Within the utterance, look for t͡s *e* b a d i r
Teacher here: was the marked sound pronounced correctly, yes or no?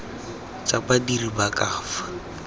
no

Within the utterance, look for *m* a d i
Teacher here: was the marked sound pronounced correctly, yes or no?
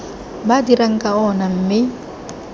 no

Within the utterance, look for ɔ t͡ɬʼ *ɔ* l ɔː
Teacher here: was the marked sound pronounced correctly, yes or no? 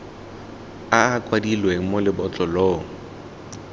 yes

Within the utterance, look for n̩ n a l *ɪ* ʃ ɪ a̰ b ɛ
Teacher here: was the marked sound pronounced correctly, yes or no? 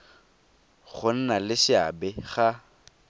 yes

